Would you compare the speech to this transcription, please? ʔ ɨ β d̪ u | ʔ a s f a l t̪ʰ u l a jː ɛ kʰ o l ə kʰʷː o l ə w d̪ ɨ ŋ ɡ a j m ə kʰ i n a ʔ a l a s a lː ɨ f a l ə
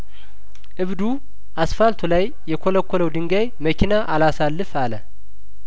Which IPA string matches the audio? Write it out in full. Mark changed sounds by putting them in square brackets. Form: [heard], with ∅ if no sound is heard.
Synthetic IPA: ʔ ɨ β d̪ u | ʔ a s f a l t̪ʰ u l a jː ɛ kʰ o l ə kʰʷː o l ə w d̪ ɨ ŋ ɡ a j m ə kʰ i n a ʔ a l a s a lː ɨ f a l ə